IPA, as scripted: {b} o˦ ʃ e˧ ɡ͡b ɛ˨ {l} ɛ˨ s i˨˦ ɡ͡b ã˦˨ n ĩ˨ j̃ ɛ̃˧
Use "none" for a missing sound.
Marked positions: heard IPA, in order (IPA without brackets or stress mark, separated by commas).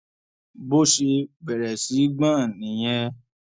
b, ɾ